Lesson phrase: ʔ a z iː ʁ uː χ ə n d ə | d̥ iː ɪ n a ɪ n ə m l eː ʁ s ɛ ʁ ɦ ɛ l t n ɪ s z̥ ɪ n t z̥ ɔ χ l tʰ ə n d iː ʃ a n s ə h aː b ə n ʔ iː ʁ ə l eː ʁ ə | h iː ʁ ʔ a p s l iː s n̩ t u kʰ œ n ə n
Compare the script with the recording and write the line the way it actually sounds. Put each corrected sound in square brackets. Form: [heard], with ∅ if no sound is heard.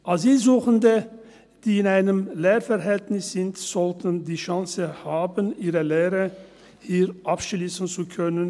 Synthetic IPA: ʔ a z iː [z] uː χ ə n d ə | d̥ iː ɪ n a ɪ n ə m l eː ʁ [f] ɛ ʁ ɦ ɛ l t n ɪ s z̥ ɪ n t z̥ ɔ [∅] l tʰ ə n d iː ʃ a [ŋ] s ə h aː b ə n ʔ iː ʁ ə l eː ʁ ə | h iː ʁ ʔ a p [ʃ] l iː s n̩ [t͡s] u kʰ œ n ə n

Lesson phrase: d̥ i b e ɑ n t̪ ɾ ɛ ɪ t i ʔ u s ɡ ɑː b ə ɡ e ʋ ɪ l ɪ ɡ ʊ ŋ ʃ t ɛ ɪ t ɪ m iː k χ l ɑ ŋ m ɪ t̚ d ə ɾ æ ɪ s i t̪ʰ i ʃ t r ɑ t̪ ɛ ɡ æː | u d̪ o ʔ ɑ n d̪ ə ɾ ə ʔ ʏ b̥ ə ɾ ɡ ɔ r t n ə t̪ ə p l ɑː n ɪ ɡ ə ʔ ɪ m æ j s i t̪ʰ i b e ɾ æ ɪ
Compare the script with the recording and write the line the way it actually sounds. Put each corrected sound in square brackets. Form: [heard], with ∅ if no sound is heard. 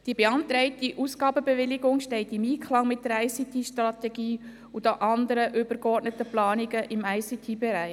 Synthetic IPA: d̥ i b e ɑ n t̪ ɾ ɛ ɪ t i ʔ u s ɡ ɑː b ə [b] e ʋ ɪ l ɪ ɡ ʊ ŋ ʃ t ɛ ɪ t ɪ m iː k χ l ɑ ŋ m ɪ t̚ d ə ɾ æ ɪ s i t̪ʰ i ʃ t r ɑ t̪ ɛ ɡ [iː] | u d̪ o ʔ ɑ n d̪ ə ɾ ə ʔ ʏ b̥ ə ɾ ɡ ɔ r t n ə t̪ ə p l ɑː n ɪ ɡ ə ʔ ɪ m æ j s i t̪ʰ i b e ɾ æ ɪ

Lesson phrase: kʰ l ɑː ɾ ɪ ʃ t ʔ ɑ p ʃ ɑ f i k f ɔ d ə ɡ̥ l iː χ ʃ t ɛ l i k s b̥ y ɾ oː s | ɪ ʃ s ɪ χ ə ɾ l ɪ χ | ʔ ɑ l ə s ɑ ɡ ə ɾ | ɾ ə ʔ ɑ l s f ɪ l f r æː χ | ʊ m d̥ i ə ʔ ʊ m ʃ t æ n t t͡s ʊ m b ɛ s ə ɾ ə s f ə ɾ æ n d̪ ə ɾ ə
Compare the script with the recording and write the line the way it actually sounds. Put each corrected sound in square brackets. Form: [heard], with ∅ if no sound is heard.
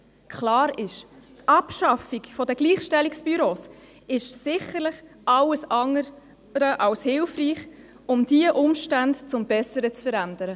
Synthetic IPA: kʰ l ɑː ɾ ɪ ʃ t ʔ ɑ p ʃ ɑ f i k f ɔ d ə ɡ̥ l iː χ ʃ t ɛ l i k s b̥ y ɾ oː s | ɪ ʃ s ɪ χ ə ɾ l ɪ χ | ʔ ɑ l ə s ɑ [ŋ] ə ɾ | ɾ ə ʔ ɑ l s [h] ɪ l f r [iː] χ | ʊ m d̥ i ə ʔ ʊ m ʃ t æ n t t͡s ʊ m b ɛ s ə ɾ ə [t͡s] f ə ɾ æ n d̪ ə ɾ ə

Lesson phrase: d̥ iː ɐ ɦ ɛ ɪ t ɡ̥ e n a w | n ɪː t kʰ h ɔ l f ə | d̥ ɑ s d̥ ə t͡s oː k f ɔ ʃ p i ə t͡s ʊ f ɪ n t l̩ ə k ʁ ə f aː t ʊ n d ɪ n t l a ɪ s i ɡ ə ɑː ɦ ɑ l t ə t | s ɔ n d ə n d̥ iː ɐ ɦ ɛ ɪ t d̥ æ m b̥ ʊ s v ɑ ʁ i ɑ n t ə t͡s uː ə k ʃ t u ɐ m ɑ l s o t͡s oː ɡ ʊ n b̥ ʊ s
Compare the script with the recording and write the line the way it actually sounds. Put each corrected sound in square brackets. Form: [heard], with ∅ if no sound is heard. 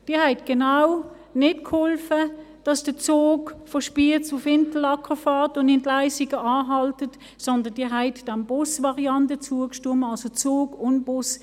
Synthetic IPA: d̥ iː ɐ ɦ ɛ ɪ t ɡ̥ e n a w | n [ɪ] t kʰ h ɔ l f ə | d̥ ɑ s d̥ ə t͡s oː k f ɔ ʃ p i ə t͡s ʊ f ɪ n t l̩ [ɑ] k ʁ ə f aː t ʊ n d ɪ n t l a ɪ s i ɡ ə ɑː ɦ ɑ l t ə t | s ɔ n d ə n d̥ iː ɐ ɦ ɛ ɪ t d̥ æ m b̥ ʊ s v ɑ ʁ i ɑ n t ə t͡s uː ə k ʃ t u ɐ m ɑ l s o t͡s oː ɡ ʊ n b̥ ʊ s

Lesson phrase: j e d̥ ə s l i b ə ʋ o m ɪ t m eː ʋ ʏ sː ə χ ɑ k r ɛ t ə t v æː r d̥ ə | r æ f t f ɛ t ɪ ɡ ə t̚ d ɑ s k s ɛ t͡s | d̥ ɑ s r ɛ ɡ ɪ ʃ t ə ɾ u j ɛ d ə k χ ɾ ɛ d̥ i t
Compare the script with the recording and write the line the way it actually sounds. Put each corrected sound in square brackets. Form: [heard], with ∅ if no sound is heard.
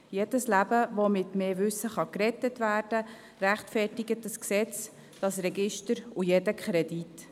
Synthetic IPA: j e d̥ ə s l [æ] b ə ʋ o m ɪ t m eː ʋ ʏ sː ə χ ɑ k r ɛ t ə t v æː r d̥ ə | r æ [χ] t f ɛ t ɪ ɡ ə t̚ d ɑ s k s ɛ t͡s | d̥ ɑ s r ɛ ɡ ɪ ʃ t ə ɾ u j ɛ d ə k χ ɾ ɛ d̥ i t

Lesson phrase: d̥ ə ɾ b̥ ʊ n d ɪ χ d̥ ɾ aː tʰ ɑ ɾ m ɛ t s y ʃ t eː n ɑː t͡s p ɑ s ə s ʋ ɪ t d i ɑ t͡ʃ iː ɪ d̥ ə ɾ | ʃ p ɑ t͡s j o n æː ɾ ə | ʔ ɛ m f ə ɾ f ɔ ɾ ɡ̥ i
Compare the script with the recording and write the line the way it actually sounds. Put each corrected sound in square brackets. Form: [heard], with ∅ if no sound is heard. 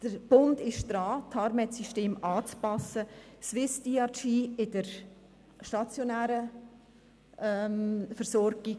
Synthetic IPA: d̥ ə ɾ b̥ ʊ n d ɪ [ʃ] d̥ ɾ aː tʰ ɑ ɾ m ɛ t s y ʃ t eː [m] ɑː t͡s p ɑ s ə s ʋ ɪ [s] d i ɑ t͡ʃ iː ɪ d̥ ə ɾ | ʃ [t] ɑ t͡s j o n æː ɾ ə | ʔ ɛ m f ə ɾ [s] ɔ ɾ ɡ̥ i

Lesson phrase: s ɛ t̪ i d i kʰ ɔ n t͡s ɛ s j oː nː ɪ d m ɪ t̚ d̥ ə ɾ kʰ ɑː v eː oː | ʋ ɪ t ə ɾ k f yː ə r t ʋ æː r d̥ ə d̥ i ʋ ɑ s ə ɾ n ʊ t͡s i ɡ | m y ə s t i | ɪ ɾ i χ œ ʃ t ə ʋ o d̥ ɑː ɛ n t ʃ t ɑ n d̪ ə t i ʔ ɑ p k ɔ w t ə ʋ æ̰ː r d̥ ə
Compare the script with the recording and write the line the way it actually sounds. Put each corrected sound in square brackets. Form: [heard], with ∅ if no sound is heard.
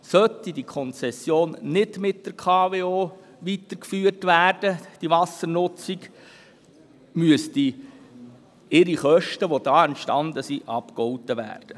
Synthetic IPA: s [œ] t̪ i d i kʰ ɔ n t͡s ɛ s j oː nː ɪ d m ɪ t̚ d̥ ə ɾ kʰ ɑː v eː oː | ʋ [i] t ə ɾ k f yː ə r t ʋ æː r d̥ ə d̥ i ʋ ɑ s ə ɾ n ʊ t͡s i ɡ | m y ə s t i | ɪ ɾ i χ œ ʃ t ə ʋ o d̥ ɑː ɛ n t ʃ t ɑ n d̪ ə [s] i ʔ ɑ p k ɔ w t ə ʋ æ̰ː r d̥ ə

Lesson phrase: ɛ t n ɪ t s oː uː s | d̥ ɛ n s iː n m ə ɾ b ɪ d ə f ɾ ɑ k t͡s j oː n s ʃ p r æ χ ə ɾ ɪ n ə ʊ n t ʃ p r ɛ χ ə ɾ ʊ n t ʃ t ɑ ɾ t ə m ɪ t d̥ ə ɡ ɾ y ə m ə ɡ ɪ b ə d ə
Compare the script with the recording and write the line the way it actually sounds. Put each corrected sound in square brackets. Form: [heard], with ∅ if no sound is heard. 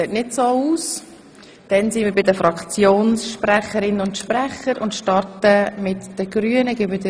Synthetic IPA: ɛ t n ɪ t s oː uː s | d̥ ɛ n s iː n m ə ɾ b ɪ d ə f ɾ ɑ k t͡s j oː n s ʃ p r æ χ ə ɾ ɪ n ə ʊ n t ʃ p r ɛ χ ə ɾ ʊ n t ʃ t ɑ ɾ t ə m ɪ t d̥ ə ɡ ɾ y ə [n] ə ɡ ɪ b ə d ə

